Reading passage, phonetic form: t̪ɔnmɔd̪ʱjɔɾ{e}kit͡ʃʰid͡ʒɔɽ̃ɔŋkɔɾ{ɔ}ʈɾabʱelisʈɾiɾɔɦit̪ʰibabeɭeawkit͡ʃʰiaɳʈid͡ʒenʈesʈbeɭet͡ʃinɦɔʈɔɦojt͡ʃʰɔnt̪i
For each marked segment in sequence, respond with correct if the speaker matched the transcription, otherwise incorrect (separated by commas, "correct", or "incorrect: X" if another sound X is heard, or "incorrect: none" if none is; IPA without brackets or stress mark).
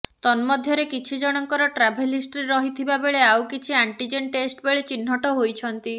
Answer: correct, correct